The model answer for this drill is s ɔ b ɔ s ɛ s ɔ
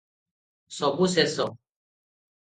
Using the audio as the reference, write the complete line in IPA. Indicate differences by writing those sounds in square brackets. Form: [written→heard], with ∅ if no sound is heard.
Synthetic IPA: s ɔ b [ɔ→u] s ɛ s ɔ